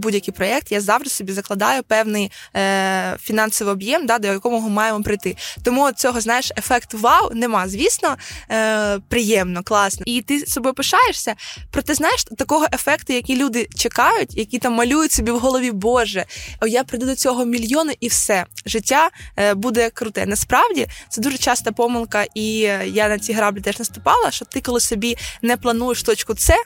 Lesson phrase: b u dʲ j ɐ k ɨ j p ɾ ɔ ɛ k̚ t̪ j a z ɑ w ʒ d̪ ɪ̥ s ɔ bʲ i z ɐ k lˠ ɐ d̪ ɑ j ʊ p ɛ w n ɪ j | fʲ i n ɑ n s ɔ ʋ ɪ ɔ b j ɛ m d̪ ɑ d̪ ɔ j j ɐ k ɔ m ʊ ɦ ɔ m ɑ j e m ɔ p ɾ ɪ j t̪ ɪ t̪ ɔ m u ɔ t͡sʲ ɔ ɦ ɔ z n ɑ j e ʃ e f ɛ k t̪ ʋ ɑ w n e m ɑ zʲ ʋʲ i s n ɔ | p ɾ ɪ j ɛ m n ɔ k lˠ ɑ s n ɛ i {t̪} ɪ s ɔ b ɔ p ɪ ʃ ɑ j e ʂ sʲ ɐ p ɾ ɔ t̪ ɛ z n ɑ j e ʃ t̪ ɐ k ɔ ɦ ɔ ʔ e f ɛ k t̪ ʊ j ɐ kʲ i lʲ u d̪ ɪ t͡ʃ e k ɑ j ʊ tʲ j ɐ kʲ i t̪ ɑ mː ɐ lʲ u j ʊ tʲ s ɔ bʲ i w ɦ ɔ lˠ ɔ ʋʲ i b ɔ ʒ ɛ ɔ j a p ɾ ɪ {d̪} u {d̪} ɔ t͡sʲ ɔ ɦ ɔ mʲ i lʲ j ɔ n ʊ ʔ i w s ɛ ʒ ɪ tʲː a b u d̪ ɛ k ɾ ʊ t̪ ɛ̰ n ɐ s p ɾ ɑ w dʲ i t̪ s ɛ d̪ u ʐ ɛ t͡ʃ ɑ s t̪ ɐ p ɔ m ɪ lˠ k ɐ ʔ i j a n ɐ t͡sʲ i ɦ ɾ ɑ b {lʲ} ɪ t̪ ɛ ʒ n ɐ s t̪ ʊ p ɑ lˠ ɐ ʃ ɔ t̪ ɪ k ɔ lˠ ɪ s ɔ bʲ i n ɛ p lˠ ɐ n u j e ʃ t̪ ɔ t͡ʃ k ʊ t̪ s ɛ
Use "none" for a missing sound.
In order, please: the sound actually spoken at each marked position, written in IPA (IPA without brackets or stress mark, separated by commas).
t̪, d̪, d̪, lʲ